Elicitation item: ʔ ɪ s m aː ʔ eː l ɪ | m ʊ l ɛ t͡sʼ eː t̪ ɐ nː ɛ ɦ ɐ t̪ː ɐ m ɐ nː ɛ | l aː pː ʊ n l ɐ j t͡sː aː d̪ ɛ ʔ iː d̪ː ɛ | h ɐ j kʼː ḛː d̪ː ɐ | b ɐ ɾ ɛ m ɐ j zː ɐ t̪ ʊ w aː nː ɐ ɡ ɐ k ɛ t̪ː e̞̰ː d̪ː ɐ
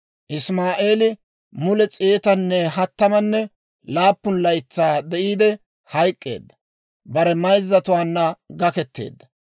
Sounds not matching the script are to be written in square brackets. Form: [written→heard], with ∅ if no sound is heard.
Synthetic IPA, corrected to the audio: ʔ ɪ s m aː ʔ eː l ɪ | m ʊ l ɛ t͡sʼ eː t̪ ɐ nː ɛ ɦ ɐ t̪ː ɐ m ɐ nː ɛ | l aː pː ʊ n l ɐ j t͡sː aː d̪ ɛ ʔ iː [d̪ː→d̪] ɛ | h ɐ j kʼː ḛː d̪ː ɐ | b ɐ ɾ ɛ m ɐ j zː ɐ t̪ ʊ w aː nː ɐ ɡ ɐ k ɛ t̪ː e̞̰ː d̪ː ɐ